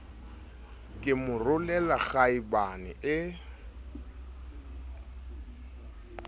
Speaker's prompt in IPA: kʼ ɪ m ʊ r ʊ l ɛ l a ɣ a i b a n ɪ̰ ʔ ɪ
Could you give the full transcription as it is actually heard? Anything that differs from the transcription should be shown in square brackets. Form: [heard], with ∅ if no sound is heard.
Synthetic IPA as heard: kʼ ɪ m ʊ r ʊ l ɛ l a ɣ a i b a n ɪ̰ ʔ ɪ